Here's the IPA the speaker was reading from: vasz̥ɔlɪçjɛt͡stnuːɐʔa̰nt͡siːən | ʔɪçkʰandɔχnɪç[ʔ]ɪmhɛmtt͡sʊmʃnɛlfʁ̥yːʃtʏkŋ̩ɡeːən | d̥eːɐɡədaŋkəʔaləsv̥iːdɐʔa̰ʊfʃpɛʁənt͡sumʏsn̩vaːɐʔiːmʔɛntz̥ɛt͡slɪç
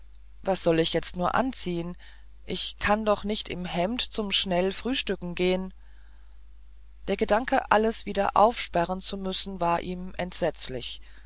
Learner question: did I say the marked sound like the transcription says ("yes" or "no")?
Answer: no